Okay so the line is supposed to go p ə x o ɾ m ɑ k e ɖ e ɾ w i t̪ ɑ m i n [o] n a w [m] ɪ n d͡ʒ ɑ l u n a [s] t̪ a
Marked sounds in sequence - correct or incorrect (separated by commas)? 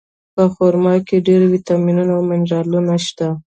incorrect, correct, incorrect